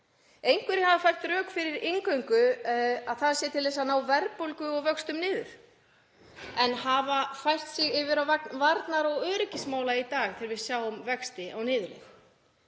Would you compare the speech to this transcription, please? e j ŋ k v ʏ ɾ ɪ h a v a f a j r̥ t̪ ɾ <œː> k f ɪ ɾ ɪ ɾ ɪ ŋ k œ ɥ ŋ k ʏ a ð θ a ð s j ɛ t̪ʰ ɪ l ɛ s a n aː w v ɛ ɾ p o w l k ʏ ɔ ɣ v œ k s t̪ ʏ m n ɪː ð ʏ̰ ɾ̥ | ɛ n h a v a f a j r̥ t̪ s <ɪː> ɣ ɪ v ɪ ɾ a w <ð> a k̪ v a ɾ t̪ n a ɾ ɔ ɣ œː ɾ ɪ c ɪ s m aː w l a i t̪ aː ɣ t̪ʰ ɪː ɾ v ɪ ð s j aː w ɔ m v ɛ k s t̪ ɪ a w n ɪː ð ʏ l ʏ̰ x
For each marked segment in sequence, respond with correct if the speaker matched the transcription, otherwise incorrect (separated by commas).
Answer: correct, incorrect, incorrect